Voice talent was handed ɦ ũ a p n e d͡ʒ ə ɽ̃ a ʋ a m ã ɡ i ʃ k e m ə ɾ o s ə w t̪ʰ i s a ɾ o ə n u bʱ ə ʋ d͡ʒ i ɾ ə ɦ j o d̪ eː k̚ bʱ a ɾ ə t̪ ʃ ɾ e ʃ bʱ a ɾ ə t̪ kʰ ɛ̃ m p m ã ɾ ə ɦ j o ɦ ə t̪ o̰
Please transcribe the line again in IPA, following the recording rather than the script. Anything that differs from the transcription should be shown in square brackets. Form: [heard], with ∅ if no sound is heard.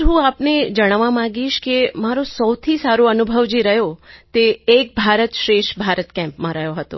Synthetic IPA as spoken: ɦ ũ a p n e d͡ʒ ə ɽ̃ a ʋ a m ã ɡ i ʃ k e m [a] ɾ o s ə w t̪ʰ i s a ɾ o ə n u bʱ ə ʋ d͡ʒ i ɾ ə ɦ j o [t̪] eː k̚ bʱ a ɾ ə t̪ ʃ ɾ e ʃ bʱ a ɾ ə t̪ [k] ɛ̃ m p m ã ɾ ə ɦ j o ɦ ə t̪ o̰